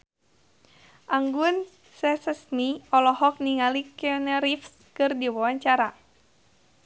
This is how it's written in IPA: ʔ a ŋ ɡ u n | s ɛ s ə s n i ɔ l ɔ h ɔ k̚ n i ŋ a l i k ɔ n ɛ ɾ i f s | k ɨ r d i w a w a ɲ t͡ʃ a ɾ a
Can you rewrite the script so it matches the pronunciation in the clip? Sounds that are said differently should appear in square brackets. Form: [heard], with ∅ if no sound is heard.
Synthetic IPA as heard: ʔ a ŋ ɡ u n | s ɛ s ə s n i ɔ l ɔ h ɔ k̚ n i ŋ a l i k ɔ n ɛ ɾ i f s | k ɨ r d i w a w a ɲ t͡ʃ a ɾ a